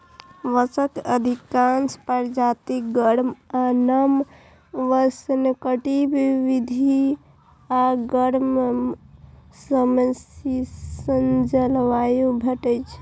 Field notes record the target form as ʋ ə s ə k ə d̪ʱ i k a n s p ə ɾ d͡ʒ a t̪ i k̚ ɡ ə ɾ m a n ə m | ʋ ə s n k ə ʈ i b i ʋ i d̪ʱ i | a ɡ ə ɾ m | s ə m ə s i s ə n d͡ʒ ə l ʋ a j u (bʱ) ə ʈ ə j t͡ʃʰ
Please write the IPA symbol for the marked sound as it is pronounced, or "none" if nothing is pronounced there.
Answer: bʱ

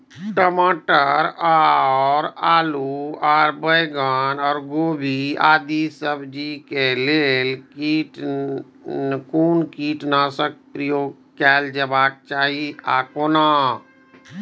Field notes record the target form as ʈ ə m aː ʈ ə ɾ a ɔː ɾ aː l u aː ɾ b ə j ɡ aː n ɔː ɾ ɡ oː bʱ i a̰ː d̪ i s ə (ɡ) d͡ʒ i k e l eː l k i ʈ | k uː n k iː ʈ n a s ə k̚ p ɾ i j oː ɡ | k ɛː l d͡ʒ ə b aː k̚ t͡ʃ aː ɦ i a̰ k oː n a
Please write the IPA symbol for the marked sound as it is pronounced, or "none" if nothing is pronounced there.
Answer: b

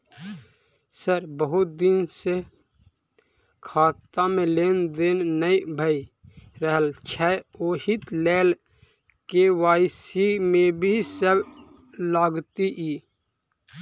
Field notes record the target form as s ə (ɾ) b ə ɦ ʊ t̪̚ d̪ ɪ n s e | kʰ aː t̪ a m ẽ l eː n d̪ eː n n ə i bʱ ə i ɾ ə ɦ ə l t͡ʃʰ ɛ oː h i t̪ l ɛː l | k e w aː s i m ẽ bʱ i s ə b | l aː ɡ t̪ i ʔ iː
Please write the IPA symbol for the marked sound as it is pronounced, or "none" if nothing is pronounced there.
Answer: ɾ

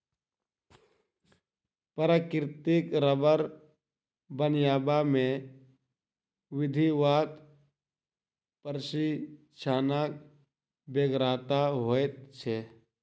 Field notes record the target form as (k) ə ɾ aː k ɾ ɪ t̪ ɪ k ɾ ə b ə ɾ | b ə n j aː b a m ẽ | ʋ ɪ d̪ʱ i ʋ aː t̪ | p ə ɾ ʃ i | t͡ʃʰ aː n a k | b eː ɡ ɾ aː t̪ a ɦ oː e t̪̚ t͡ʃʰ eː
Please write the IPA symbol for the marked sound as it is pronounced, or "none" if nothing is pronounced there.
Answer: p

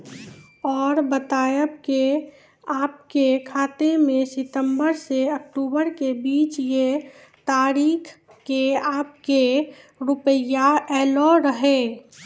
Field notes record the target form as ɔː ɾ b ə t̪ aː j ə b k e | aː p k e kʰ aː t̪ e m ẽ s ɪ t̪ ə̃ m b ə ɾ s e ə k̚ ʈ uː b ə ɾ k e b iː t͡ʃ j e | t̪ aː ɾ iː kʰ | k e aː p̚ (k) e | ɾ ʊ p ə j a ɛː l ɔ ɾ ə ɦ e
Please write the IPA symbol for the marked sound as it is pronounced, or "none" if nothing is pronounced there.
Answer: k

